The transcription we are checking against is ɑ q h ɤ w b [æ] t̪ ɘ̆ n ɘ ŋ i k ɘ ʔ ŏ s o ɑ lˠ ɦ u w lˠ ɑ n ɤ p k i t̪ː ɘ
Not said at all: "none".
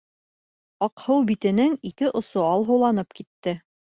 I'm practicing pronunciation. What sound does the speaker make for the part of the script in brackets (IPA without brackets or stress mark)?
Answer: i